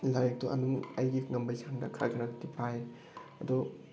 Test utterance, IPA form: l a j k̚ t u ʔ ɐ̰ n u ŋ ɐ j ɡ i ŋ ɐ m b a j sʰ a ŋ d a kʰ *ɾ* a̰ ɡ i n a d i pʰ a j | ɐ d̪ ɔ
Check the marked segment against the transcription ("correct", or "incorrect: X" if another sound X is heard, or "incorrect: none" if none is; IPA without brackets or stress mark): correct